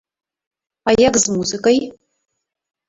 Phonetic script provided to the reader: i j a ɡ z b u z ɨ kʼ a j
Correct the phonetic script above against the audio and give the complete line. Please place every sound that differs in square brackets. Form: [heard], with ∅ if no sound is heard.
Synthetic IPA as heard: [a] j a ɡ z [m] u z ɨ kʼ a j